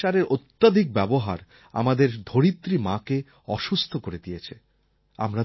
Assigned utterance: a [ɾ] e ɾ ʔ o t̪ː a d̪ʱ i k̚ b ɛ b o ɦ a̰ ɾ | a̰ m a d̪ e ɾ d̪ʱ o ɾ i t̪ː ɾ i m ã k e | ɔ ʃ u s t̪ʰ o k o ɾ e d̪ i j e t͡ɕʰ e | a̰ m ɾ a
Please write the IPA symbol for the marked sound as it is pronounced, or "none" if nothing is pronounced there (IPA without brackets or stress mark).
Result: ɾ